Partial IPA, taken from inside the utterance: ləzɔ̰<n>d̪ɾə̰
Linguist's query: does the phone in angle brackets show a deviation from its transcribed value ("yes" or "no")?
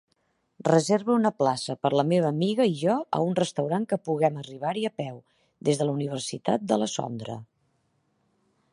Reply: no